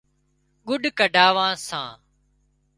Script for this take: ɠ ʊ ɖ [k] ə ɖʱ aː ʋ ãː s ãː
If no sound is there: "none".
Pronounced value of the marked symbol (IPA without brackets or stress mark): k